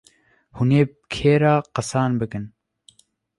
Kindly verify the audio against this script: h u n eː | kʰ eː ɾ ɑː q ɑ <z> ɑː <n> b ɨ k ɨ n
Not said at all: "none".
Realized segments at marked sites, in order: s, n

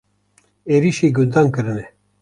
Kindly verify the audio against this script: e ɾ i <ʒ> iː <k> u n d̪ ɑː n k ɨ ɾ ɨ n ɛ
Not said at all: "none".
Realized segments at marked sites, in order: ʃ, ɡ

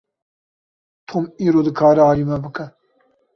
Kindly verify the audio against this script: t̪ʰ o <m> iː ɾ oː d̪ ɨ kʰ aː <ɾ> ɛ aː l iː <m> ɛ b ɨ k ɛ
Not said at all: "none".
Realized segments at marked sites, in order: m, ɾ, m

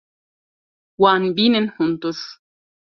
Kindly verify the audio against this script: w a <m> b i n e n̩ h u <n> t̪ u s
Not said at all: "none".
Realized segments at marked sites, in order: n, n

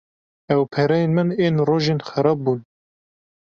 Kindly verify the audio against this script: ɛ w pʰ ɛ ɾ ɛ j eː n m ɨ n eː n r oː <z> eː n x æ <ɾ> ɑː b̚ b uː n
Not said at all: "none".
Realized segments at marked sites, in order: ʒ, ɾ

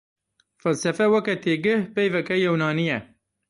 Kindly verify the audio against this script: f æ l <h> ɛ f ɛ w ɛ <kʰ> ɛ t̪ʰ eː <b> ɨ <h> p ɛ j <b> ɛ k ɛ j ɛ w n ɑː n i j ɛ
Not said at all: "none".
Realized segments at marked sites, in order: s, k, ɡ, h, v

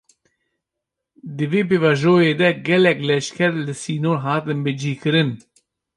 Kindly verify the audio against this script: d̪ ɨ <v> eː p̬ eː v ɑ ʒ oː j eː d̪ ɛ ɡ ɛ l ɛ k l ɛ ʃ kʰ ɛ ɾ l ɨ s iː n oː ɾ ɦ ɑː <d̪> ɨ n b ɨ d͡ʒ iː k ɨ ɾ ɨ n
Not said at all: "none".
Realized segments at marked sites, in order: v, t̪

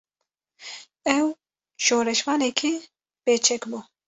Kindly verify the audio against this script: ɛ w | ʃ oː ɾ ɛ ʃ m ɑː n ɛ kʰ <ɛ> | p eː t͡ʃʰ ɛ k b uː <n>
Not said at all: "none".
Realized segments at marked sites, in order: i, none

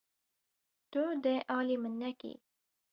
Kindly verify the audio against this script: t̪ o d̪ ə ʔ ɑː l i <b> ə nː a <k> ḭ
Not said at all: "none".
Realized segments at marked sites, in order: m, k

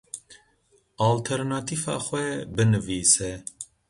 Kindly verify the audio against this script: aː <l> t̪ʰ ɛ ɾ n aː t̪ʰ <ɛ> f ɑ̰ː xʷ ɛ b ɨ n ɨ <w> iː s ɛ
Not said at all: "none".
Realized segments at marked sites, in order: l, i, v

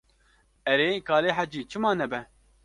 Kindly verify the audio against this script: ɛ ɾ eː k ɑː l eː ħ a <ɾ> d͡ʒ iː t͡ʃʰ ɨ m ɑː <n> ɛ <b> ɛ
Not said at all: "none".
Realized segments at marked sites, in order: none, n, b

